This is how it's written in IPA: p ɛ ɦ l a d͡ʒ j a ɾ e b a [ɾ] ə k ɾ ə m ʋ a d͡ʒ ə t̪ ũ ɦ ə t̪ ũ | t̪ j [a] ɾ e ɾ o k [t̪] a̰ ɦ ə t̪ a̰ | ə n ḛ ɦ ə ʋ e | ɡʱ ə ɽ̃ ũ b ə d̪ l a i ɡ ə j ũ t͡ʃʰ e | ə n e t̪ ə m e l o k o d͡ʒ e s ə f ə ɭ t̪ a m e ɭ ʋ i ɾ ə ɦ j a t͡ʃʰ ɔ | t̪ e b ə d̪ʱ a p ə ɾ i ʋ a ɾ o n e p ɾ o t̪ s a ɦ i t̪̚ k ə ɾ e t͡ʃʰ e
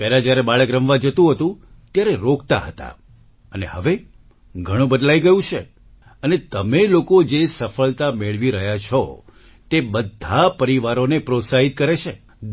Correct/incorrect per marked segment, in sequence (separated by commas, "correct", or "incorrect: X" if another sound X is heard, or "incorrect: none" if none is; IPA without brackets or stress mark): incorrect: ɭ, correct, correct